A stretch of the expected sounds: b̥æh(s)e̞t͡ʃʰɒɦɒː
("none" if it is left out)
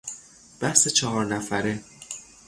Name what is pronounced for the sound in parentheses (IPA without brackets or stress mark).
s